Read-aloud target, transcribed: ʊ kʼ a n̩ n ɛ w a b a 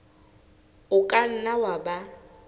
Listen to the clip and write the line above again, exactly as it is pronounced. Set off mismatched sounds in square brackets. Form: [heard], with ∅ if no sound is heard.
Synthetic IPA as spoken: ʊ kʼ a n̩ n [a] w a b a